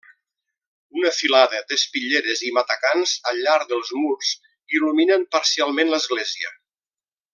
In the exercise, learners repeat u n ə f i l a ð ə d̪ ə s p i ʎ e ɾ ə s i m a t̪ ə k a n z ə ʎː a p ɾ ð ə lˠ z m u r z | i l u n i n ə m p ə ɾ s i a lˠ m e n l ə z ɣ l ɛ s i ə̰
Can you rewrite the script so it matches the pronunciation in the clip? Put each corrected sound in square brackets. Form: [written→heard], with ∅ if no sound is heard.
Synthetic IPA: u n ə f i l a ð ə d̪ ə s p i ʎ e ɾ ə [s→z] i m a t̪ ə k a n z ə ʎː a [p→∅] ɾ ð ə lˠ z m u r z | i l u [n→m] i n ə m p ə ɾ s i a lˠ m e n l ə z ɣ l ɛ [s→z] i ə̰